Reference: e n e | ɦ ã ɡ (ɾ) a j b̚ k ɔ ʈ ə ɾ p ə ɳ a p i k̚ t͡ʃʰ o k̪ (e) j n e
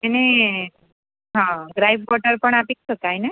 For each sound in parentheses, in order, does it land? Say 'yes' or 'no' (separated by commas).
yes, no